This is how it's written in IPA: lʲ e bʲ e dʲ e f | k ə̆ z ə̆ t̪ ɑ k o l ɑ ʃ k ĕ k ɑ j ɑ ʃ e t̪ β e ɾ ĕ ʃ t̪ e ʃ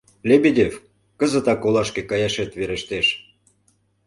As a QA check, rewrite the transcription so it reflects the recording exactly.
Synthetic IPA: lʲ e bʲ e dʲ e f | k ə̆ z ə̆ t̪ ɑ k o l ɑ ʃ k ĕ k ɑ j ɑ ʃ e t̪ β e ɾ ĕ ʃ t̪ e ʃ